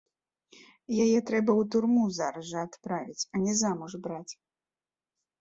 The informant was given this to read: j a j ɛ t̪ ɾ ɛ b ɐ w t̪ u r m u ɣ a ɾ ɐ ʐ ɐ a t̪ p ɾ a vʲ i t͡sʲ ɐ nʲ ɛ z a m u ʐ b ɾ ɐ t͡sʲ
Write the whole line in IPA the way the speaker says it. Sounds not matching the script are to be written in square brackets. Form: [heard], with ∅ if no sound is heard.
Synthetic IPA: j a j ɛ t̪ ɾ ɛ b ɐ w t̪ u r m u [z] a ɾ ɐ ʐ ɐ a t̪ p ɾ a vʲ i t͡sʲ ɐ nʲ ɛ z a m u ʐ b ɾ [a] t͡sʲ